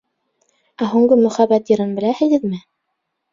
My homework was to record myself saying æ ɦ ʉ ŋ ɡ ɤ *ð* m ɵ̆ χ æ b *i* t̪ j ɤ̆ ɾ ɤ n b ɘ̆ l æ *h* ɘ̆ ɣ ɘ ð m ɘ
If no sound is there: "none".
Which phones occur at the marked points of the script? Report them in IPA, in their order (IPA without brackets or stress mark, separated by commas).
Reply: none, æ, h